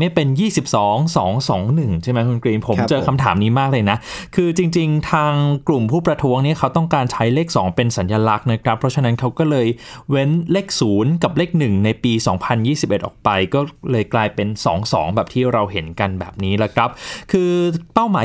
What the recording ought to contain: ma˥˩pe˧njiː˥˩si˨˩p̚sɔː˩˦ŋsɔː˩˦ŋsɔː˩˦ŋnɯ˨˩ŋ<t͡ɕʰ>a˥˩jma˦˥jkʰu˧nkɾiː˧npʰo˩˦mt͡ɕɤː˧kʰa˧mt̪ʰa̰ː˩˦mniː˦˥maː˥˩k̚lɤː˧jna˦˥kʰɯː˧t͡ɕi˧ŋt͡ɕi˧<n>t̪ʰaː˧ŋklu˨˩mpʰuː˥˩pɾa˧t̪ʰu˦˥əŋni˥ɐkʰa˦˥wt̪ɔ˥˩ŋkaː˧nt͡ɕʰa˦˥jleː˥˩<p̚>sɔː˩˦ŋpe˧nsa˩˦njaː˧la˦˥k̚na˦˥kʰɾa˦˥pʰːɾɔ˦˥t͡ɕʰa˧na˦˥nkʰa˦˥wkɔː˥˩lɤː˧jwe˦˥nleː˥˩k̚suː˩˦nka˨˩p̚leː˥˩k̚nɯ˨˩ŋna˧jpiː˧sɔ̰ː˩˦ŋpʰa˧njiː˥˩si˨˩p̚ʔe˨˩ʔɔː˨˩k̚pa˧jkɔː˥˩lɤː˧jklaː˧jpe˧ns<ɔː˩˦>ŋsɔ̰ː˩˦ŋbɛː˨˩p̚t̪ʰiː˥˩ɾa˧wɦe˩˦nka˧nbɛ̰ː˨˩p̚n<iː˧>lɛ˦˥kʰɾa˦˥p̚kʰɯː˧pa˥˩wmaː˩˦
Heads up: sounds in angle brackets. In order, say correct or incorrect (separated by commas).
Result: correct, incorrect, incorrect, correct, incorrect